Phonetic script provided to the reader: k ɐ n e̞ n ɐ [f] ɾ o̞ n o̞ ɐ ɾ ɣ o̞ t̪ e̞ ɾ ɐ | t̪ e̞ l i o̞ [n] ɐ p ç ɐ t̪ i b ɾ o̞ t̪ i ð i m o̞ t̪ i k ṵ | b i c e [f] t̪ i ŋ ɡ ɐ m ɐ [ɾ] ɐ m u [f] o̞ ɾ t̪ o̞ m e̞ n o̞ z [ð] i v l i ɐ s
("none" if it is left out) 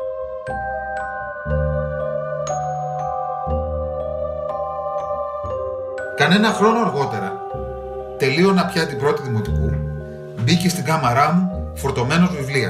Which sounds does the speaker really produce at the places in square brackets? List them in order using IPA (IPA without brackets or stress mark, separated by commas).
x, n, s, ɾ, f, v